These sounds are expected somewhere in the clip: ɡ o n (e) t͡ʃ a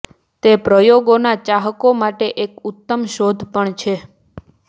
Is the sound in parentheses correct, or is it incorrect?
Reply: incorrect